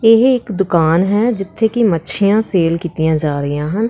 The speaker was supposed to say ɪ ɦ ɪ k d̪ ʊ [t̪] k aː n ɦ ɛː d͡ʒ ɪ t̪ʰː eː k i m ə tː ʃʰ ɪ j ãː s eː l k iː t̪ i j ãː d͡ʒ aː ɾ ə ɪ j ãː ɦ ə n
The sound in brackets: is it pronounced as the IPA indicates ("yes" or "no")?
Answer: no